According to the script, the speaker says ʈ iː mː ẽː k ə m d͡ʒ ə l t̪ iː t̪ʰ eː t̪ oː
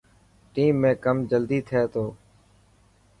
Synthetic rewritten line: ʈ iː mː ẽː k ə m d͡ʒ ə l d̪ iː t̪ʰ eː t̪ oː